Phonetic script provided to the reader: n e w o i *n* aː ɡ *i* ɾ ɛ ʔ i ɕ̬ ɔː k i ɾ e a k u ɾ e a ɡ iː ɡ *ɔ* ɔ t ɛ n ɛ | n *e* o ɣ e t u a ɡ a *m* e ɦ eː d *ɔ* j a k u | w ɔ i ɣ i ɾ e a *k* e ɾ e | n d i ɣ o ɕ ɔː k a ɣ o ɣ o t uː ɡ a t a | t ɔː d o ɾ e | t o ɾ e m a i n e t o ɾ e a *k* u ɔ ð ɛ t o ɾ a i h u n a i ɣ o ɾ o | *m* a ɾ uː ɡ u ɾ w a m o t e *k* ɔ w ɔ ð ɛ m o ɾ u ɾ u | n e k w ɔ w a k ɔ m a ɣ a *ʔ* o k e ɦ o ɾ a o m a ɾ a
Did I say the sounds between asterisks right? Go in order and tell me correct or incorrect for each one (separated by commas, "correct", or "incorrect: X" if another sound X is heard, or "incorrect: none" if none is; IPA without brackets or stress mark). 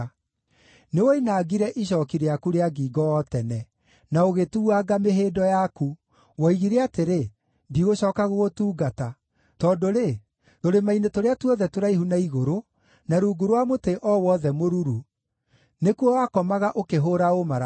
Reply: correct, correct, correct, incorrect: a, correct, correct, incorrect: t, incorrect: t, incorrect: n, incorrect: ʔ, correct